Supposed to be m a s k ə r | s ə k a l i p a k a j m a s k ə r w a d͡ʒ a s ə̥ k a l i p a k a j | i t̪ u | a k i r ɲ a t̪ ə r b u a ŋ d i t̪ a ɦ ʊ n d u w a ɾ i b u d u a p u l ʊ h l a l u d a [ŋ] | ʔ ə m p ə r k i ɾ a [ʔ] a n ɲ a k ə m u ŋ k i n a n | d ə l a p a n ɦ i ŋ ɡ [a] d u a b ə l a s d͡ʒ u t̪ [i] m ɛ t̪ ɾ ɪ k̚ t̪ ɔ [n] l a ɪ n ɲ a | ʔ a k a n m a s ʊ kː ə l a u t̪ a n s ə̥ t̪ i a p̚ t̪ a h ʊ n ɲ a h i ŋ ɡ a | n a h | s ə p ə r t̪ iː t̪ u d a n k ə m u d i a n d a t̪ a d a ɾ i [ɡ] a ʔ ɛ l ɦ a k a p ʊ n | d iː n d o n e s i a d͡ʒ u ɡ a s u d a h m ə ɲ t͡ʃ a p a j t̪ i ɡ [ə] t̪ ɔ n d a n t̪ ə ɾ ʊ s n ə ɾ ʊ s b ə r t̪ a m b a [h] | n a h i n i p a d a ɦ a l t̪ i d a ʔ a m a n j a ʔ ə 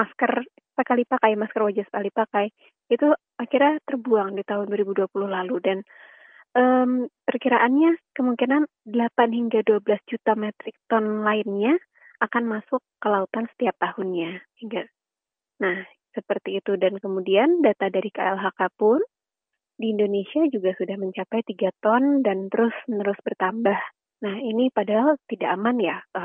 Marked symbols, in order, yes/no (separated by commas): no, yes, yes, no, yes, no, no, yes